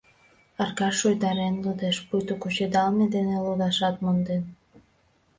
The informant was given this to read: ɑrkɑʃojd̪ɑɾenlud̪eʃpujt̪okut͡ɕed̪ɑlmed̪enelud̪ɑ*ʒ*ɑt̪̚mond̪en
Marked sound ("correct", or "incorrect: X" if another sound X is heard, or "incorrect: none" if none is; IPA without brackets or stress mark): incorrect: ʃ